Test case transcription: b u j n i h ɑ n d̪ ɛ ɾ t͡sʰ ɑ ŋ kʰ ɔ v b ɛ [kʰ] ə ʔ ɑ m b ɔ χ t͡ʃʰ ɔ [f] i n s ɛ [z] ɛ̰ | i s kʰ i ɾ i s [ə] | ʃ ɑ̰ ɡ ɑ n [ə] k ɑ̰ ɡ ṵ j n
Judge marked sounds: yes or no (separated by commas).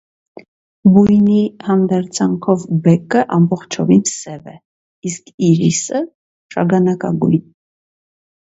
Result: no, no, no, yes, no